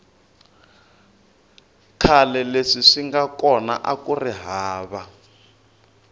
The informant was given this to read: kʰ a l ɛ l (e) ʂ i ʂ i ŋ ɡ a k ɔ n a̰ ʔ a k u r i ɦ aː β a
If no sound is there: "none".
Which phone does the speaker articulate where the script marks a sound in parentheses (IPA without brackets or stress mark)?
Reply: e